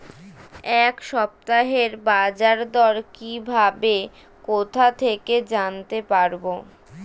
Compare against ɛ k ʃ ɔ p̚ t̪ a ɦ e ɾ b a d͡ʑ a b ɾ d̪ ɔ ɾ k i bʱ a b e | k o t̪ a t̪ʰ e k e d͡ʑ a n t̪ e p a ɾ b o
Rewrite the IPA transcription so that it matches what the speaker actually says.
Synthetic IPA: ɛ k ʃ ɔ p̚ t̪ a ɦ e ɾ b a d͡ʑ a ɾ d̪ ɔ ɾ k i bʱ a b e | k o t̪ʰ a t̪ʰ e k e d͡ʑ a n t̪ e p a ɾ b o